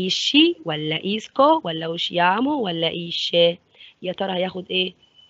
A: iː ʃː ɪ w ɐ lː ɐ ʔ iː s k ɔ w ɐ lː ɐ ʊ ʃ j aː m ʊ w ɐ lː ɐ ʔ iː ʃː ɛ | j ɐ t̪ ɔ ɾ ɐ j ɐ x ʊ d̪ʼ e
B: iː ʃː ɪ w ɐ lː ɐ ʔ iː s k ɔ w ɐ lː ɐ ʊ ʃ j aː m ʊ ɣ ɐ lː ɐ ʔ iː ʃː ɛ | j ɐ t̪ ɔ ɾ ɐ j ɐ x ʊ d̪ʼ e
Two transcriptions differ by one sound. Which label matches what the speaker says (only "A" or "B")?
A